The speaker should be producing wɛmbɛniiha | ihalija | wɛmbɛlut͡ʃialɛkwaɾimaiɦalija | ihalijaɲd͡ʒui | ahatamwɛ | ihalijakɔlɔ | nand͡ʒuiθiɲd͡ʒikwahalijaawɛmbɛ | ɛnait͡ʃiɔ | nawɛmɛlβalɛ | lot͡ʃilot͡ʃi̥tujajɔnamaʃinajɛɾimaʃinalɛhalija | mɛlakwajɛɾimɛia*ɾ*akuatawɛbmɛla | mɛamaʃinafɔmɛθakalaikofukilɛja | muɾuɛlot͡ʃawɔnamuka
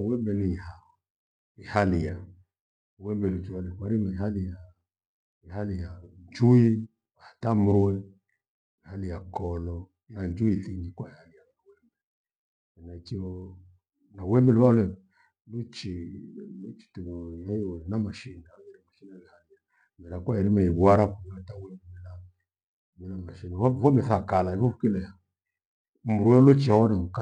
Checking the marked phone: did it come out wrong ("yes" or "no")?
no